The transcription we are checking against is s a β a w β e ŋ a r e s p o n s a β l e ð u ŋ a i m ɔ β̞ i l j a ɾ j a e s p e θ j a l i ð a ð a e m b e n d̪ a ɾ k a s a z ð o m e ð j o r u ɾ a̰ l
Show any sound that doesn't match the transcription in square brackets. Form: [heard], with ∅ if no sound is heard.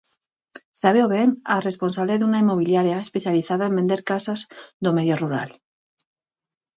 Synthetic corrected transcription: s a β [e] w β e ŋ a r e s p o n s a β l e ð u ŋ a i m [o] β̞ i l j a ɾ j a e s p e θ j a l i [θ] a ð a e m b e n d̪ [e] ɾ k a s a z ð o m e ð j o r u ɾ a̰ l